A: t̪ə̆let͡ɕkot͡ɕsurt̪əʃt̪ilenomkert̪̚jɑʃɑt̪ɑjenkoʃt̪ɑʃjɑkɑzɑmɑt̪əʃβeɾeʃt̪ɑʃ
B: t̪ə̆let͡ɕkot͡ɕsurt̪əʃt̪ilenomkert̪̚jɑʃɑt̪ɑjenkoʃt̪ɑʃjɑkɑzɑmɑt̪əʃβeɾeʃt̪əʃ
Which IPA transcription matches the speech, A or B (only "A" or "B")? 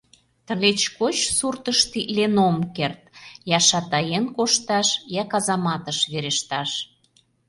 A